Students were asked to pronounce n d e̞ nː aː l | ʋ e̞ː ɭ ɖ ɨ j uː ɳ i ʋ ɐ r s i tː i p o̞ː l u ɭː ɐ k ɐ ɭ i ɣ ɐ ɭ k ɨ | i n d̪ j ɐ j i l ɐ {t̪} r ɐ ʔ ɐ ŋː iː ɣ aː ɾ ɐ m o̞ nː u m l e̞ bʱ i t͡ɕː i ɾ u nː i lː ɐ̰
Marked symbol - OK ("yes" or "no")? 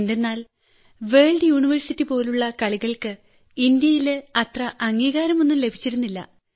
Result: yes